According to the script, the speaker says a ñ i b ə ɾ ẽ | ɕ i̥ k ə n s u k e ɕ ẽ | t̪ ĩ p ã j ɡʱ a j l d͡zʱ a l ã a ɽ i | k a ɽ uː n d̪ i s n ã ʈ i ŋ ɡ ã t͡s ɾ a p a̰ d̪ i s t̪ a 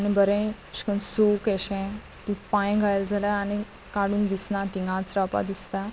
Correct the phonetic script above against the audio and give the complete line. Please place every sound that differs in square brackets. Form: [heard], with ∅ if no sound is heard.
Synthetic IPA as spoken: a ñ i b ə ɾ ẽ | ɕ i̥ k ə n s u k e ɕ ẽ | t̪ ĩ p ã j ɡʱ a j l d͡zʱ a l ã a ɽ i | k a ɽ uː n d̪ i s n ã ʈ i ŋ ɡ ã t͡s ɾ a p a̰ d̪ i s t̪ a